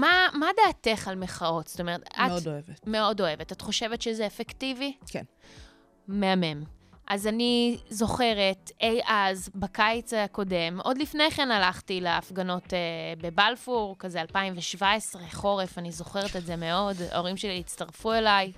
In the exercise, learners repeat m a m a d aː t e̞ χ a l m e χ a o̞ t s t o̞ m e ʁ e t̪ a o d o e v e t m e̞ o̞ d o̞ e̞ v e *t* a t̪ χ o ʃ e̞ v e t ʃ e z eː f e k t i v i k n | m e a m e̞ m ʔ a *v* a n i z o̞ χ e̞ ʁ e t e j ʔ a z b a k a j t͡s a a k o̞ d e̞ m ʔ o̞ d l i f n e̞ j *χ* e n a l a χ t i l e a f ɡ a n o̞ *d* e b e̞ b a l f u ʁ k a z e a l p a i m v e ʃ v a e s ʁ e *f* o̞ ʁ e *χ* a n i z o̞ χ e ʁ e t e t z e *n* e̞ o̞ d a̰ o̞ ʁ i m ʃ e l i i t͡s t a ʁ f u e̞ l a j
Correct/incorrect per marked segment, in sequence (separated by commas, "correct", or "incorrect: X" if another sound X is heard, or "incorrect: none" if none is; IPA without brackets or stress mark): correct, incorrect: z, correct, incorrect: t, incorrect: χ, incorrect: f, incorrect: m